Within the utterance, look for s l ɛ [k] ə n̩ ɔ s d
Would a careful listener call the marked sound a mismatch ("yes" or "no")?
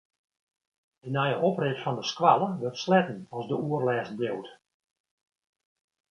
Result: yes